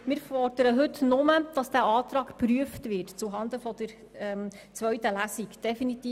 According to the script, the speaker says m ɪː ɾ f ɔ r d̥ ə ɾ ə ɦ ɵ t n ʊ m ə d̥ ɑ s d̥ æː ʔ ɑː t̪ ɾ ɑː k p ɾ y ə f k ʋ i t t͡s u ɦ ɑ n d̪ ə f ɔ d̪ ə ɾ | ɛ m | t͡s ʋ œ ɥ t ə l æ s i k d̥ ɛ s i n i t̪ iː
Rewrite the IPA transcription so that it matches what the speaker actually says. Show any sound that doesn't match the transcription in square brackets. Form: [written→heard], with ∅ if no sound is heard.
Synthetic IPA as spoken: m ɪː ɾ f ɔ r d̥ ə ɾ ə ɦ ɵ t n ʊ m ə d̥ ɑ s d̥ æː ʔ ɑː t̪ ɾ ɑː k p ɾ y ə f [k→t] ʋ [i→ɪ] t t͡s u ɦ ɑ n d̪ ə f ɔ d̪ ə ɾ | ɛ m | t͡s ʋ œ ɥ t ə l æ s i k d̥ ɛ [s→f] i n i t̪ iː

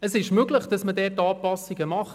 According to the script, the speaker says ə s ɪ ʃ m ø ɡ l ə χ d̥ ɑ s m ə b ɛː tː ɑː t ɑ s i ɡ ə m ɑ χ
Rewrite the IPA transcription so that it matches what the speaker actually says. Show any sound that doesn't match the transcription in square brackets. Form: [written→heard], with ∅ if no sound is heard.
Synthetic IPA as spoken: ə s ɪ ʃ m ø ɡ l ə χ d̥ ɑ s m ə [b→d] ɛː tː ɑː [t→p] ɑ s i ɡ ə m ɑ χ

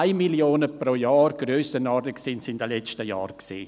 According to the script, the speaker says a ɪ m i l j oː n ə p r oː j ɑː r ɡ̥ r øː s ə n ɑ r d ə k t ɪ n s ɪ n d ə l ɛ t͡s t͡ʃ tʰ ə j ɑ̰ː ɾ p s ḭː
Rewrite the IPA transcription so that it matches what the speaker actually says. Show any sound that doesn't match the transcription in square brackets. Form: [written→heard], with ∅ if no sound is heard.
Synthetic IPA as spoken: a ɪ m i l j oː n ə p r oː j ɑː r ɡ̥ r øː s ə n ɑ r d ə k [t→s] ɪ n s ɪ n d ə l ɛ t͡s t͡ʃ [tʰ→t] ə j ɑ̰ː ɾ [p→k] s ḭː

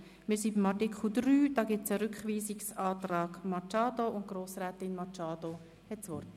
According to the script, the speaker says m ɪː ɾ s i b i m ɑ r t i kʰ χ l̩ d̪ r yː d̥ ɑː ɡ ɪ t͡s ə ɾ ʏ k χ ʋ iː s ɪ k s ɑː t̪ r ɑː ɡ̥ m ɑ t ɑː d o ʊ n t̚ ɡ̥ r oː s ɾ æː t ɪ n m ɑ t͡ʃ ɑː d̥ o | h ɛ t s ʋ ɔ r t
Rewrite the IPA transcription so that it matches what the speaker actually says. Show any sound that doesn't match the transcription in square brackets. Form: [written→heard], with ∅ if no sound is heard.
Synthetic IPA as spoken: m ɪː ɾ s i b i m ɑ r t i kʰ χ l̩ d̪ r yː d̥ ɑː ɡ ɪ t͡s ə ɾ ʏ k χ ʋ iː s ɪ k s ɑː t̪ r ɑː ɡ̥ m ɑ [t→t͡ʃ] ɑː d o ʊ n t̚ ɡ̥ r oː s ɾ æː t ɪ n m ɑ t͡ʃ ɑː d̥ o | h ɛ t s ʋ ɔ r t

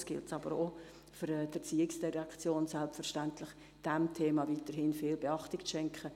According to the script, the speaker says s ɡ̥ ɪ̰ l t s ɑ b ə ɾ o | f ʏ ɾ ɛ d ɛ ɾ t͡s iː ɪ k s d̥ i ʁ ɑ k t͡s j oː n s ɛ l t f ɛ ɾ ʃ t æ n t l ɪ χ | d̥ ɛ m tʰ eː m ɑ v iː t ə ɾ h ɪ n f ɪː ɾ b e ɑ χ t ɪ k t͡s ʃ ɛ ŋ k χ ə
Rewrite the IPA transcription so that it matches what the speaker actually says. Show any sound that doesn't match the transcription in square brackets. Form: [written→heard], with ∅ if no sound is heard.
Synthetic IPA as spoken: s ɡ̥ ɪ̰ l t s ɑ b ə ɾ o | f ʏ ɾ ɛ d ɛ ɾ t͡s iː ɪ k s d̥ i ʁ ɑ k t͡s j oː n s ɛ l [t→p] f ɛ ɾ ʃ t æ n t l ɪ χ | d̥ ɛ m tʰ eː m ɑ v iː t ə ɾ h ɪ n f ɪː [ɾ→l] b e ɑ χ t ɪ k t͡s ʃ ɛ ŋ k χ ə

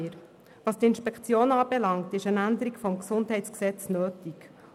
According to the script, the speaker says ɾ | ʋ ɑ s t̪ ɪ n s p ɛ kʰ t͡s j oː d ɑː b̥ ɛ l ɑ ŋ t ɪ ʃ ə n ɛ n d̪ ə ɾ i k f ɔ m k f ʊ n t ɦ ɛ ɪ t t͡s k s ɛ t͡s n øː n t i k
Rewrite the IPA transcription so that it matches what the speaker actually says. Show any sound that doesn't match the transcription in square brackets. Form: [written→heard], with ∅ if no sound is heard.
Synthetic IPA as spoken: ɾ | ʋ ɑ s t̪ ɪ n [s→ʃ] p ɛ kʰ t͡s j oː [d→n] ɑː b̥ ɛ l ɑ ŋ t ɪ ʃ ə n [ɛ→æ] n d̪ ə ɾ i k f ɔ m k [f→s] ʊ n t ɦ ɛ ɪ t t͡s k s ɛ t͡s n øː [n→∅] t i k

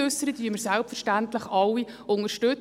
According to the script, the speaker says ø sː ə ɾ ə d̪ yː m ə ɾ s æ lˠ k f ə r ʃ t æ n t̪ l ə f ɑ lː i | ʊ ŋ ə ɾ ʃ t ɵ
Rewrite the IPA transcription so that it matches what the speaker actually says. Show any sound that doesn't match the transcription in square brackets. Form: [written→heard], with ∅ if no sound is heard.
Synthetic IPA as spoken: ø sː ə ɾ ə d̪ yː m ə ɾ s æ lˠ [k→p] f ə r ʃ t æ n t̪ l ə [f→χ] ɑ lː i | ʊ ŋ ə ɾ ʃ t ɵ

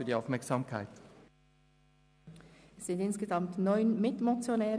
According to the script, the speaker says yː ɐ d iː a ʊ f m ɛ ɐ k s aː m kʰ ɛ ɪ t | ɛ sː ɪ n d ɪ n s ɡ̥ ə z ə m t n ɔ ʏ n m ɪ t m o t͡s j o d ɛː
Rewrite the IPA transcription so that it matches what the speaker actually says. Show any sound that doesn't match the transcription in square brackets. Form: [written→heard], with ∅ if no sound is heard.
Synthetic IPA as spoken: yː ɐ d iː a ʊ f m ɛ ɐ k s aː m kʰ [ɛ→a] ɪ t | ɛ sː ɪ n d ɪ n s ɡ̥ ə z [ə→ɑ] m t n ɔ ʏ n m ɪ t m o t͡s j o [d→n] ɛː

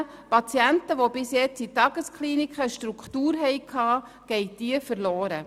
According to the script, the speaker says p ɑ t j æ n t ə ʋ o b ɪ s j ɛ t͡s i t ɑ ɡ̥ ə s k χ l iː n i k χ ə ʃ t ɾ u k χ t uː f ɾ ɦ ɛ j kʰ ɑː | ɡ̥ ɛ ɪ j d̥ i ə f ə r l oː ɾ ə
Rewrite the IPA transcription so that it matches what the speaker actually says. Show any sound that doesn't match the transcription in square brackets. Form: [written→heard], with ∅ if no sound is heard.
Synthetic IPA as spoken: p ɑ [t→t͡s] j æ n t ə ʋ o b ɪ s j ɛ t͡s i t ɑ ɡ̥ ə s k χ l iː n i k χ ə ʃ t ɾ u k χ t uː [f→∅] ɾ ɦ ɛ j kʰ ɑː | ɡ̥ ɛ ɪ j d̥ i ə f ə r l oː ɾ ə

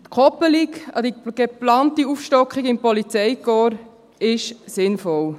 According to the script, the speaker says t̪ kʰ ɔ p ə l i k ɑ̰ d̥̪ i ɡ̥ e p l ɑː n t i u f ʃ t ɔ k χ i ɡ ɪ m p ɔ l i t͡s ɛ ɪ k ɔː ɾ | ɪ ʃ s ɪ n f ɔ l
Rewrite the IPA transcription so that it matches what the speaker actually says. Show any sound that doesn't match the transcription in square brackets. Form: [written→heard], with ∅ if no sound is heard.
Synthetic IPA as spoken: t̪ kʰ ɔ p ə l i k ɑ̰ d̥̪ i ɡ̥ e p l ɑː n t i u f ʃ t ɔ k χ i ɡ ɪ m p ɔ l i t͡s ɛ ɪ k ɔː ɾ | ɪ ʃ s ɪ n f ɔ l

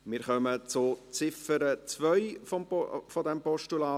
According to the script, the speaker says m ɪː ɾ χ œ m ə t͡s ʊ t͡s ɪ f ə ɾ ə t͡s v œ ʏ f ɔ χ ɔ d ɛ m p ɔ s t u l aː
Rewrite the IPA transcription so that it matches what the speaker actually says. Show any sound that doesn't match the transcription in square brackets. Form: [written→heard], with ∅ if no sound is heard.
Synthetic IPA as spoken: m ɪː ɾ χ œ m ə t͡s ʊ t͡s ɪ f ə ɾ ə t͡s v œ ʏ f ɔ [χ→f] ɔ d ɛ m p ɔ [s→ʃ] t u l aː

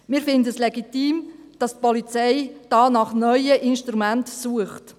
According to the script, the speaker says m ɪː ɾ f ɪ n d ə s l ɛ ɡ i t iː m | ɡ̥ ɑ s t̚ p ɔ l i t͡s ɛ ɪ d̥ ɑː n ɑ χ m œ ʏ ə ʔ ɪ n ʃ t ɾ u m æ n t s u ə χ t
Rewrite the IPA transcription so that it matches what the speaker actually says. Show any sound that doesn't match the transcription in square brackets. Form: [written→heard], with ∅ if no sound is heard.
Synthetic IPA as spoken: m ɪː ɾ f ɪ n d ə s l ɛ ɡ i t iː m | [ɡ̥→d̥] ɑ s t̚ p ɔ l i t͡s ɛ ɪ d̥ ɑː n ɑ χ [m→n] œ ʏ ə ʔ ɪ n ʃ t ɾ u m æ n t s u ə χ t

